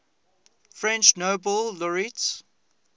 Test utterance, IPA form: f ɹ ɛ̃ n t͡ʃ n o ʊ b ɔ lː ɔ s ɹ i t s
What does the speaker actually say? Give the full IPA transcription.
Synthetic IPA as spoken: f ɹ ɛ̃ n t͡ʃ n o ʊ b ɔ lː ɔ ɹ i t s